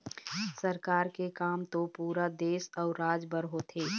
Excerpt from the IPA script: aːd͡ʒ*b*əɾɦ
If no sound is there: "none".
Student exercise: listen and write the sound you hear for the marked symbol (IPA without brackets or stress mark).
b